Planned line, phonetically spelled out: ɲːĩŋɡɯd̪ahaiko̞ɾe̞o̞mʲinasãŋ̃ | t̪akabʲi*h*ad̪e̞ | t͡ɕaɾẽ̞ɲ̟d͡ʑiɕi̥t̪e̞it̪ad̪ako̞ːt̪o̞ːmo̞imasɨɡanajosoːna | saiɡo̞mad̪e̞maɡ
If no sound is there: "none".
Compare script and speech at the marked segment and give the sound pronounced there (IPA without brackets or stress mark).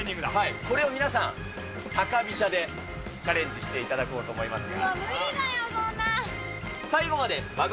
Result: ɕ